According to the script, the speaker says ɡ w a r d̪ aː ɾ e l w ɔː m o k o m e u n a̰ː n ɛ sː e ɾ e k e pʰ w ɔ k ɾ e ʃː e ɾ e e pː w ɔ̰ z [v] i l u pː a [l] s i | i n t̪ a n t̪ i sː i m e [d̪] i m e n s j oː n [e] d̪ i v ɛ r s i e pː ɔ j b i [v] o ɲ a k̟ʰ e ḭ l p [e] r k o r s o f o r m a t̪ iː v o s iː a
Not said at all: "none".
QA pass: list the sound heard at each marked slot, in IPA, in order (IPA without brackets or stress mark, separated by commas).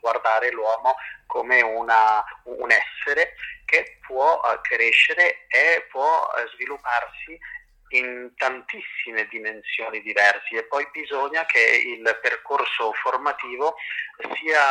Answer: v, r, d̪, i, z, e